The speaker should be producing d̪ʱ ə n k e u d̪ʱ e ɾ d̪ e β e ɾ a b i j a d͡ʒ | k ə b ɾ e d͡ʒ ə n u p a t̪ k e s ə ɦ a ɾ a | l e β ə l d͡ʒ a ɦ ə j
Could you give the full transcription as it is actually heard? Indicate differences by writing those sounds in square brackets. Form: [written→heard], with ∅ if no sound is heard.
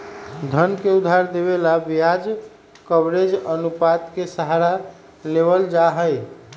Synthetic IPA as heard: d̪ʱ ə n k e u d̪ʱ [e→a] ɾ d̪ e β e [ɾ→l] a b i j a d͡ʒ | k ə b ɾ e d͡ʒ ə n u p a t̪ k e s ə ɦ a ɾ a | l e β ə l d͡ʒ a ɦ ə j

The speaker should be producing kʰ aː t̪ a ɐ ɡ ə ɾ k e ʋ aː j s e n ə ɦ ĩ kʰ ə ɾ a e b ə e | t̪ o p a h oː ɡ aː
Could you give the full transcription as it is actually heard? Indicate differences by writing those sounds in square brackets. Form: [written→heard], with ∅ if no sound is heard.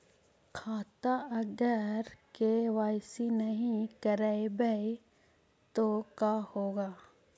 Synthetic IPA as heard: kʰ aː t̪ a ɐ ɡ ə ɾ k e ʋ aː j s [e→i] n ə ɦ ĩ [kʰ→k] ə ɾ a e b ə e | t̪ o [p→k] a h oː ɡ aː

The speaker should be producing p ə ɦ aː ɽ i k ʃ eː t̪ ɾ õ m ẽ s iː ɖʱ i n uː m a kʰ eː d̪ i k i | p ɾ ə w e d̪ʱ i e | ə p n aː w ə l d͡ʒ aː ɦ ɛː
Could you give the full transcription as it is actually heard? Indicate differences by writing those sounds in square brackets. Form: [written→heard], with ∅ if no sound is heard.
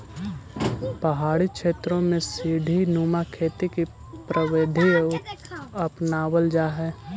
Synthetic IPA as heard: p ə ɦ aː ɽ i k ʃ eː t̪ ɾ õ m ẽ s iː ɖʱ i n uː m a kʰ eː [d̪→t̪] i k i | p ɾ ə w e d̪ʱ i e | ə p n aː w ə l d͡ʒ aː ɦ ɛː

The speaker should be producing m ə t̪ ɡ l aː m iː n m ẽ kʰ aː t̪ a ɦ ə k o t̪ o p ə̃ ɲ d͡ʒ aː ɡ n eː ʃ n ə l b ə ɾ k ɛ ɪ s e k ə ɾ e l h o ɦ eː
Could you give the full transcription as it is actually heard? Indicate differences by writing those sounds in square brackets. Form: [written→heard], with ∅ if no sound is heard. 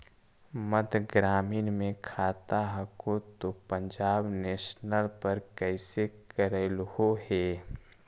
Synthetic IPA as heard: m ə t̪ ɡ [l→ɾ] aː m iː n m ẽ kʰ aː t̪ a ɦ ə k o t̪ o p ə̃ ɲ d͡ʒ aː [ɡ→b] n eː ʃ n ə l [b→p] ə ɾ k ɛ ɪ s e k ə ɾ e l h o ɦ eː

